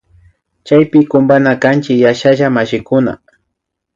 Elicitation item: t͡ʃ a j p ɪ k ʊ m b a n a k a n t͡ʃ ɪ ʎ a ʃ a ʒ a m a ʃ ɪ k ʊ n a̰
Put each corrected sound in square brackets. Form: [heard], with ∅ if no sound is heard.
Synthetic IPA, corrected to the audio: t͡ʃ a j p ɪ k ʊ m b a n a k a n t͡ʃ ɪ [j] a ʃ a ʒ a m a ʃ ɪ k ʊ n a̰